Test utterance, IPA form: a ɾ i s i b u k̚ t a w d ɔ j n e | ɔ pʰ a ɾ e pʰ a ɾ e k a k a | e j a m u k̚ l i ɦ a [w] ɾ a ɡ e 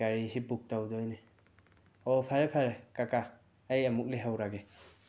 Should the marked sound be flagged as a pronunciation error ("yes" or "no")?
no